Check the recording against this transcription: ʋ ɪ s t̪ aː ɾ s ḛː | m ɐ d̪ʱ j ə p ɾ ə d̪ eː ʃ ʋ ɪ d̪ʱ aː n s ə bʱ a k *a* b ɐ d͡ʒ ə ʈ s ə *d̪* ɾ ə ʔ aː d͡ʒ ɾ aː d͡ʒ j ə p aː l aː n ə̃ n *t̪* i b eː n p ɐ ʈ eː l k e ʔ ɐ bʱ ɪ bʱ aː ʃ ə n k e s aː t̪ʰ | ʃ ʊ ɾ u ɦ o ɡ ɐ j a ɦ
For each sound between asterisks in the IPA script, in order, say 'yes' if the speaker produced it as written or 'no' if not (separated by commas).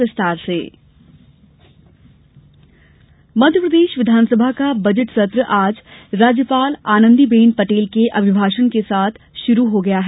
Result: yes, no, no